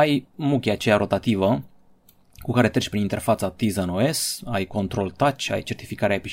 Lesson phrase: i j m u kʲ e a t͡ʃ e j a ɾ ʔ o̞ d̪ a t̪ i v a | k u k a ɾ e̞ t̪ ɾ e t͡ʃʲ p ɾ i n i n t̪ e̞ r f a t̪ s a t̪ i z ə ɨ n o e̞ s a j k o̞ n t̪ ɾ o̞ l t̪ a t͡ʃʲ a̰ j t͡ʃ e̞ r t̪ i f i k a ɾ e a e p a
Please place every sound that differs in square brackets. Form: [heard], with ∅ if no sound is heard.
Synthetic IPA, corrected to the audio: [a] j m u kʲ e a t͡ʃ e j a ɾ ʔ o̞ [t̪] a t̪ i v [ə] | k u k a ɾ e̞ t̪ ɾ e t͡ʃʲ p ɾ i n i n t̪ e̞ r f a t̪ s a t̪ i z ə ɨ n o e̞ s a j k o̞ n t̪ ɾ o̞ l t̪ a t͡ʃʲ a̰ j t͡ʃ e̞ r t̪ i f i k a ɾ e a e p [i]